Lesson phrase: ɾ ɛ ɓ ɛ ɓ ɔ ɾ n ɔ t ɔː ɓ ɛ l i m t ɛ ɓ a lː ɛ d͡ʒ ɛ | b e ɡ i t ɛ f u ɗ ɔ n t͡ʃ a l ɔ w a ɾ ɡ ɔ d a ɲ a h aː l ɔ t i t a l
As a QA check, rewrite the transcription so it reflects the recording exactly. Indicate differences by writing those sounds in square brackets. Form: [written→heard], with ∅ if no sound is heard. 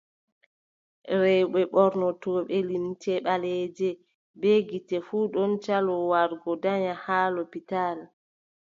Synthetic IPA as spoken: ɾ ɛ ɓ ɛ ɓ ɔ ɾ n ɔ t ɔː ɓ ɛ l i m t ɛ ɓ a [lː→l] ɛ d͡ʒ ɛ | b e ɡ i t ɛ f u ɗ ɔ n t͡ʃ a l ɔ w a ɾ ɡ ɔ d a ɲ a h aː l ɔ [t→p] i t a l